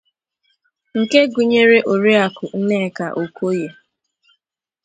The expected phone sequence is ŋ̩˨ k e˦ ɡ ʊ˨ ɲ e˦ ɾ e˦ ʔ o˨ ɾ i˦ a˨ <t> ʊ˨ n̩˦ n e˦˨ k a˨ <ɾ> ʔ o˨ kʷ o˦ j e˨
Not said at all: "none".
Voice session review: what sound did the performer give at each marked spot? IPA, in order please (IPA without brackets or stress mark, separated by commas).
k, none